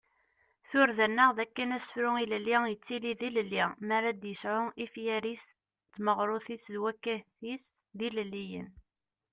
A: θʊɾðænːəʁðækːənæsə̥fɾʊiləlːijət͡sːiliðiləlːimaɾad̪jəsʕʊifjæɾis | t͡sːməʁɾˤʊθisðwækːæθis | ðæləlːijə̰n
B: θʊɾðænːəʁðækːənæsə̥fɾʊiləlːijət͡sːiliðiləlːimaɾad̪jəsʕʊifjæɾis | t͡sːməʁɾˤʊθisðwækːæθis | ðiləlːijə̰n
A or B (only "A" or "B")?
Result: B